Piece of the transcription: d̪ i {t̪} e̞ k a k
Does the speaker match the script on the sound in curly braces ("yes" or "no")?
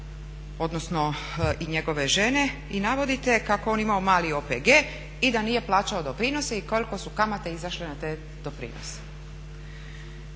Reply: yes